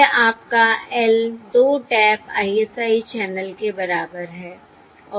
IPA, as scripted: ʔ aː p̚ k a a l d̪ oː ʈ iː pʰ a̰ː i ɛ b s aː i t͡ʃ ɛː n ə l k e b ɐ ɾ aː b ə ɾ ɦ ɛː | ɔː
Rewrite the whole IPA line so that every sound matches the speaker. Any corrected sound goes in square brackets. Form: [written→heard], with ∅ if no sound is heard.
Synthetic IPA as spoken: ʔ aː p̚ k a [a→ɛ] l d̪ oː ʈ [iː→ɛː] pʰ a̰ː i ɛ [b→∅] s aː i t͡ʃ ɛː n ə l k e b ɐ ɾ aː b ə ɾ ɦ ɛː | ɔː